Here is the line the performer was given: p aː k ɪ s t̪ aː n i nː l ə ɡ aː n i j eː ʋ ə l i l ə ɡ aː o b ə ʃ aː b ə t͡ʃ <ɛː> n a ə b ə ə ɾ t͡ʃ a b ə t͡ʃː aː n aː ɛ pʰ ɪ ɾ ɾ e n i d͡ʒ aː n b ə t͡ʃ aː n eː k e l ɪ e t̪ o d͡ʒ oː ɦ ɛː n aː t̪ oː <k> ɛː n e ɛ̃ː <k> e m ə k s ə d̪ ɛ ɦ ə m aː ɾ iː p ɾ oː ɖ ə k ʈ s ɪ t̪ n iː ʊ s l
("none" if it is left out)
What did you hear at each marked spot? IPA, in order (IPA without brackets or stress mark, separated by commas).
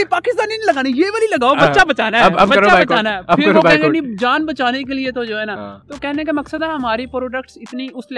aː, k, k